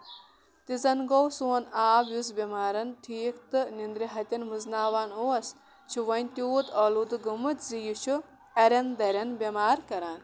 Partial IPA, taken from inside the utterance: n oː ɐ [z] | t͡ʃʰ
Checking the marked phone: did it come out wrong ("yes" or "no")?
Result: yes